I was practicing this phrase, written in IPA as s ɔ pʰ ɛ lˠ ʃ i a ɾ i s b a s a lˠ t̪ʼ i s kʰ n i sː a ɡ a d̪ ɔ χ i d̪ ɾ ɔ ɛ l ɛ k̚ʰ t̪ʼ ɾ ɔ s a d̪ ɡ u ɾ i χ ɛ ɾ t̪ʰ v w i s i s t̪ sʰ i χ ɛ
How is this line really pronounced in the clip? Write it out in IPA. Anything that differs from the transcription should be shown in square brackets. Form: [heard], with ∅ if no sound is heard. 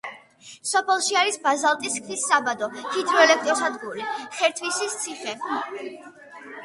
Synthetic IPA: s ɔ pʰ ɛ lˠ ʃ i a ɾ i s b a [z] a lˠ t̪ʼ i s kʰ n i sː a [b] a d̪ ɔ [h] i d̪ ɾ ɔ ɛ l ɛ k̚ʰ t̪ʼ ɾ ɔ s a d̪ ɡ u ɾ i χ ɛ ɾ t̪ʰ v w i s i s t̪ sʰ i χ ɛ